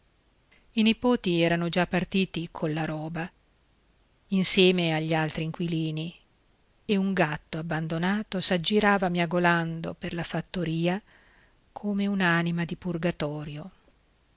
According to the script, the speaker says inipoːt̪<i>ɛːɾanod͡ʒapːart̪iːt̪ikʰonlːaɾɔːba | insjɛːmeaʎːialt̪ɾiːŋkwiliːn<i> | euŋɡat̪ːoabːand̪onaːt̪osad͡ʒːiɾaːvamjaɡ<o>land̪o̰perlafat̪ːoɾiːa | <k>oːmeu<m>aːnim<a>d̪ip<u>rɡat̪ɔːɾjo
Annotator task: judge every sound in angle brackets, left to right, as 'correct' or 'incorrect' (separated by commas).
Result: correct, correct, correct, incorrect, incorrect, correct, correct